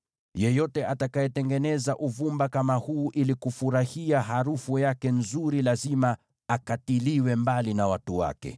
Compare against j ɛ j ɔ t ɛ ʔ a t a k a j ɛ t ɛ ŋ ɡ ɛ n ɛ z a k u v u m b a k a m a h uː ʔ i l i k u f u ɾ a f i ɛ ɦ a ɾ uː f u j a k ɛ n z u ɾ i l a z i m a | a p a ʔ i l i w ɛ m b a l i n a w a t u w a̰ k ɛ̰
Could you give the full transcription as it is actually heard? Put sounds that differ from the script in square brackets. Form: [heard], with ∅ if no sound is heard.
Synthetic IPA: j ɛ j ɔ t ɛ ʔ a t a k a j ɛ t ɛ ŋ ɡ ɛ n ɛ z a [ʔ] u v u m b a k a m a h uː ʔ i l i k u f u ɾ a [h] i [a] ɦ a ɾ [u] f u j a k ɛ n z u ɾ i l a z i m a | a [k] a [t] i l i w ɛ m b a l i n a w a t u w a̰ k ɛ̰